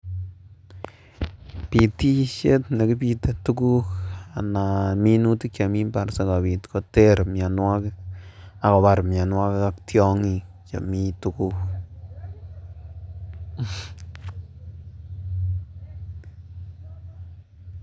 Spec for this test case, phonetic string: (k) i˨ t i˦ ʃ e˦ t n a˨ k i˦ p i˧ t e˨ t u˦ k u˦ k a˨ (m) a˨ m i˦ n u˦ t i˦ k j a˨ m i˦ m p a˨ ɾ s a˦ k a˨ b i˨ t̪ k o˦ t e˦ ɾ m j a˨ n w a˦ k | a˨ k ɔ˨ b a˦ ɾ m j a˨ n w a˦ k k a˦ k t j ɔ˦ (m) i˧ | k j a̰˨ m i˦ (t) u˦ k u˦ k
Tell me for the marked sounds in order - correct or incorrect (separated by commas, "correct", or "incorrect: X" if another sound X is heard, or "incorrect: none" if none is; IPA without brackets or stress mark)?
incorrect: p, incorrect: n, incorrect: ŋ, correct